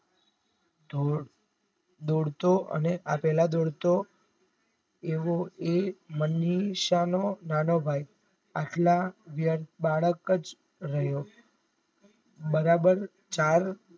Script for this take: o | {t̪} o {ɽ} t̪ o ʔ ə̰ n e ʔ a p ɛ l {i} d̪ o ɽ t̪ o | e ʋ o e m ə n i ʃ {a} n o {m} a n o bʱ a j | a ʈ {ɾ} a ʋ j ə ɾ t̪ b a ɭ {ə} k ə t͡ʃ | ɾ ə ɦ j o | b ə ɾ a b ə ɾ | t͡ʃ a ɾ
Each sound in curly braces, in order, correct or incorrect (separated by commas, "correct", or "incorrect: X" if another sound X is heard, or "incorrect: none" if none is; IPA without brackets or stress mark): incorrect: d̪, correct, incorrect: a, correct, incorrect: n, incorrect: l, correct